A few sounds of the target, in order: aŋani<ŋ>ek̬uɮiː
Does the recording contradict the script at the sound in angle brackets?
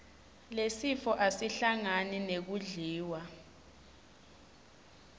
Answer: yes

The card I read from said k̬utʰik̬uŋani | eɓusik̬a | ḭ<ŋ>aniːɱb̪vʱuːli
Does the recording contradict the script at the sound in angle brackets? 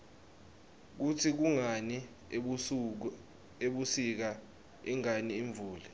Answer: no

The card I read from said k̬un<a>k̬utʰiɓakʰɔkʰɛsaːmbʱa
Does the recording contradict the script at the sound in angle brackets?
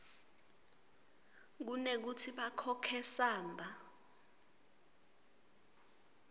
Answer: yes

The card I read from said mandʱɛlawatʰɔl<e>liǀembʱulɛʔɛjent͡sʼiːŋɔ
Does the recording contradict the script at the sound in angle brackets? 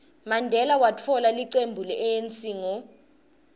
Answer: yes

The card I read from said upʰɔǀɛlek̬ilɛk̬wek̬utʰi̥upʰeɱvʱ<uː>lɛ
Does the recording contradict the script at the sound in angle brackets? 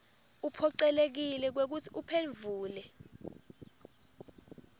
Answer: no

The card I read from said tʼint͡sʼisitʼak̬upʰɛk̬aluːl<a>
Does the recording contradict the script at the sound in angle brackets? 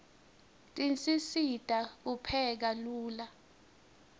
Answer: no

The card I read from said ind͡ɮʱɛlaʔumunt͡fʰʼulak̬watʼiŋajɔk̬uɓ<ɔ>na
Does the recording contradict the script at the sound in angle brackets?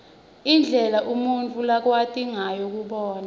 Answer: yes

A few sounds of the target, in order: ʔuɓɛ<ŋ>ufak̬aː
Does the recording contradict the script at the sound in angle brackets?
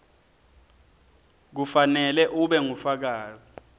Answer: no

